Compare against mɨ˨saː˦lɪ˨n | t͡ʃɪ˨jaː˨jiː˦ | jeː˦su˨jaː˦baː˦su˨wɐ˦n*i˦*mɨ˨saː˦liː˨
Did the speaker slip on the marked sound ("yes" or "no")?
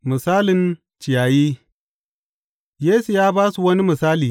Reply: no